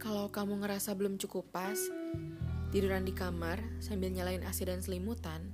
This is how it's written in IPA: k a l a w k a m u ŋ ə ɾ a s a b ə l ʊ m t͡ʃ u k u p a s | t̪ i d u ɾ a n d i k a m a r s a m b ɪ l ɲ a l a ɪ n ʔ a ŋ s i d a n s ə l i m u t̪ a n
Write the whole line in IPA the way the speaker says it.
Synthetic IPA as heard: k a l a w k a m u ŋ ə ɾ a s a b ə l ʊ m t͡ʃ u k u p a s | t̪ i d u ɾ a n d i k a m a r s a m b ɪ l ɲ a l a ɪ n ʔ a s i d a n s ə l i m u t̪ a n